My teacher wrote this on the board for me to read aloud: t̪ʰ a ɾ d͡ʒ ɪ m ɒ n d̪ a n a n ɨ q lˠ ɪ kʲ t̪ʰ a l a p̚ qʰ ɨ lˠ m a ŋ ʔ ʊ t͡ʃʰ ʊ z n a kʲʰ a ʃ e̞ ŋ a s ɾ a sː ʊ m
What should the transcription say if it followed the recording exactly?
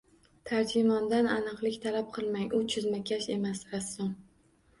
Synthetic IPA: t̪ʰ a ɾ d͡ʒ ɪ m ɒ n d̪ a n a n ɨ q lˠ ɪ kʲ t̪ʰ a l a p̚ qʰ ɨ lˠ m a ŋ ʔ ʊ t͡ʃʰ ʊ z m a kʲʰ a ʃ e̞ m a s ɾ a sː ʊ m